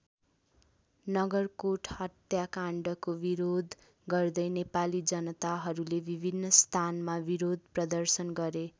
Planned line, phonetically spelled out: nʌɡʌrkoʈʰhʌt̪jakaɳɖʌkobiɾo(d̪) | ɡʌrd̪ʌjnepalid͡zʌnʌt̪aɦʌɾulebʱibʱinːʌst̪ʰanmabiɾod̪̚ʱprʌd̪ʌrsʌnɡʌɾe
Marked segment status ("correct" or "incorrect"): correct